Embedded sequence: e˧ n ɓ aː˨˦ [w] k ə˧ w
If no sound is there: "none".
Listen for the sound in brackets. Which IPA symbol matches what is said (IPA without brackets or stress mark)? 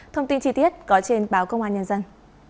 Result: w